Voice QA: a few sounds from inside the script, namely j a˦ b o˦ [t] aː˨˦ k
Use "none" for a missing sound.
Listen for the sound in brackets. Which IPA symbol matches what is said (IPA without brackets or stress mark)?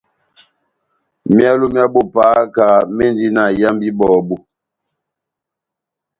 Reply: p